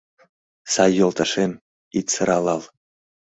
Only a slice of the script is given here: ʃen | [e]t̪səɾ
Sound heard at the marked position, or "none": i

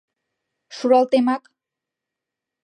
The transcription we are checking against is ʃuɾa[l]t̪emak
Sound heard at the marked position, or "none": l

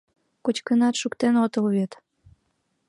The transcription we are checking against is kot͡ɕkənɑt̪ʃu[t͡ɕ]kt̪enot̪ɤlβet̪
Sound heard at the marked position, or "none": none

